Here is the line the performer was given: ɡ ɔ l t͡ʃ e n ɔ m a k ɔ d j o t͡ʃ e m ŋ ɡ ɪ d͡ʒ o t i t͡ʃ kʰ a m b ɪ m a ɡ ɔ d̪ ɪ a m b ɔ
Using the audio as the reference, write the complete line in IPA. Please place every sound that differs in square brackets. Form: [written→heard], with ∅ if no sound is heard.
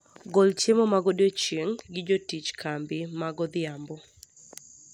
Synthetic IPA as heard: ɡ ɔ l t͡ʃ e [n→m] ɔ m a [k→ɡ] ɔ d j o t͡ʃ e [m→∅] ŋ ɡ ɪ d͡ʒ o t i t͡ʃ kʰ a m b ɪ m a ɡ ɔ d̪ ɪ a m b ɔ